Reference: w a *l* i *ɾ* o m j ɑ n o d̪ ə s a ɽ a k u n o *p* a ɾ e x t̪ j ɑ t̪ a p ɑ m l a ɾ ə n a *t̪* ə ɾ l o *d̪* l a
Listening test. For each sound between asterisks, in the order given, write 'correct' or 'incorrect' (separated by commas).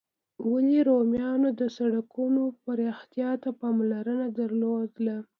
correct, correct, correct, incorrect, correct